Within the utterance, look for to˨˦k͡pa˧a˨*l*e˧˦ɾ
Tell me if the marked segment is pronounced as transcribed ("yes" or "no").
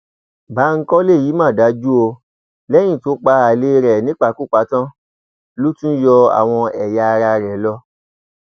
yes